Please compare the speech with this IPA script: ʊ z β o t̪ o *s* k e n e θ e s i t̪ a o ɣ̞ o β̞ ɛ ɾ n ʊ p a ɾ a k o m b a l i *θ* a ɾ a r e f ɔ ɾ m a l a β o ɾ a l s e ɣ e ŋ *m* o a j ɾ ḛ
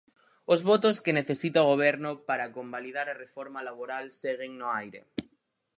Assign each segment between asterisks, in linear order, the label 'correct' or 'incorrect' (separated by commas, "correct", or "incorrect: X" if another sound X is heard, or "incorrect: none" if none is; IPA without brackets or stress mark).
correct, incorrect: ð, incorrect: n